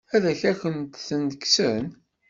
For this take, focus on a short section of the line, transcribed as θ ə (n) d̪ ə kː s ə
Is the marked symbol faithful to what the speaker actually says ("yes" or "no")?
yes